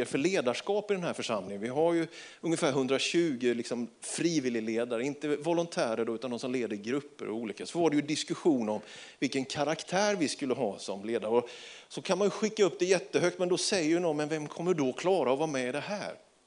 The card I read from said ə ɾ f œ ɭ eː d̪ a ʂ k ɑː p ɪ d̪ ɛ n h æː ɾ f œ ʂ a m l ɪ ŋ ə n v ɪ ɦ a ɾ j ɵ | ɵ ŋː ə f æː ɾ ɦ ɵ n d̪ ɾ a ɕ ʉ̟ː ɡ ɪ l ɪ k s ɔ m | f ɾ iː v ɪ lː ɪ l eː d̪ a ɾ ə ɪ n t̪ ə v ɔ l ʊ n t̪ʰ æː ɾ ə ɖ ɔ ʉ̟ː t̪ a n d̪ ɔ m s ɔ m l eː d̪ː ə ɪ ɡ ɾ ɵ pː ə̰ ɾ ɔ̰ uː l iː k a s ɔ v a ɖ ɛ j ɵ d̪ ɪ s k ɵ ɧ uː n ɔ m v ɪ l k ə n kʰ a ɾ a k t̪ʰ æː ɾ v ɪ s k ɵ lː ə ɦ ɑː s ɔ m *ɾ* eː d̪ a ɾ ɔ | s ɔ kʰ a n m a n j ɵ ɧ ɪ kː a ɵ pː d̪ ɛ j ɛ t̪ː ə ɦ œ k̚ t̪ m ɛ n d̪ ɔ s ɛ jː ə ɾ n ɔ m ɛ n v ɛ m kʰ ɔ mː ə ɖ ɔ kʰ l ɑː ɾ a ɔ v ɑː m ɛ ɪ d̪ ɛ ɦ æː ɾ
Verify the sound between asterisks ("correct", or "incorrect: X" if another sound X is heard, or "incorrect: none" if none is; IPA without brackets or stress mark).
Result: incorrect: l